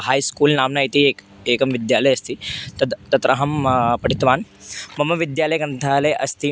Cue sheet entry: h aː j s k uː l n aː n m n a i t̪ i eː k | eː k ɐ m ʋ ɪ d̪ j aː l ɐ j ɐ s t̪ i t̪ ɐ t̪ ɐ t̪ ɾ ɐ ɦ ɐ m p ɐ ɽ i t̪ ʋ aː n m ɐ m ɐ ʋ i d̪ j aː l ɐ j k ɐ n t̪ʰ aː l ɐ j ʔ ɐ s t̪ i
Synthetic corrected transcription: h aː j s k uː l n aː m n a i t̪ i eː k | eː k ɐ m ʋ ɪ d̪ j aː l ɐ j ɐ s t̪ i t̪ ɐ t̪ ɐ t̪ ɾ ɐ ɦ ɐ m p ɐ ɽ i t̪ ʋ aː n m ɐ m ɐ ʋ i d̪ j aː l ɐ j k ɐ n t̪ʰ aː l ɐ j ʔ ɐ s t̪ i